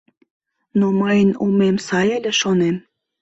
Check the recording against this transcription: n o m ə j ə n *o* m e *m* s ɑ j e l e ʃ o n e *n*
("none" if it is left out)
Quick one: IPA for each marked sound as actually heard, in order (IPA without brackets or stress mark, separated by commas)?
u, m, m